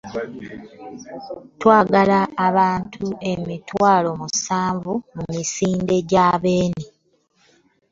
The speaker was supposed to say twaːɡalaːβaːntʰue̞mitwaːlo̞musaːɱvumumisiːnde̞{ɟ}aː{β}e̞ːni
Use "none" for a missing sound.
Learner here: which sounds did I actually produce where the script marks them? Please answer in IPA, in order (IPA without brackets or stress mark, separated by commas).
ɟ, β